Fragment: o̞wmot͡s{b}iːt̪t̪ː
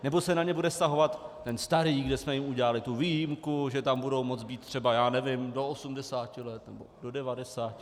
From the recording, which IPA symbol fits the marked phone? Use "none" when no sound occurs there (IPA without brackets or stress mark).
b